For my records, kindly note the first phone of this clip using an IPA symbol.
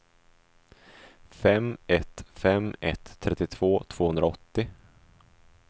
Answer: f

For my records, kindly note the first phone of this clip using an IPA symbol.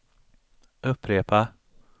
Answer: ɵ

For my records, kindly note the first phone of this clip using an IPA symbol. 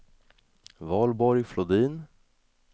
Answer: v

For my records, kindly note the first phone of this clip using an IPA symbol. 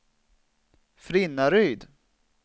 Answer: f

